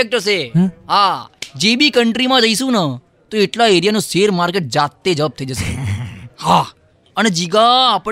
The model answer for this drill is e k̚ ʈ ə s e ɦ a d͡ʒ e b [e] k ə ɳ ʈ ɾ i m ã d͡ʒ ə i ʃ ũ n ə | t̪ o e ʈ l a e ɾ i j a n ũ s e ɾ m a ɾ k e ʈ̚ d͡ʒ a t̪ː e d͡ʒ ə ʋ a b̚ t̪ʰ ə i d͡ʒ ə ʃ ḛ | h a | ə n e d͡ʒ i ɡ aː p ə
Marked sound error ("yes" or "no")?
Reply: yes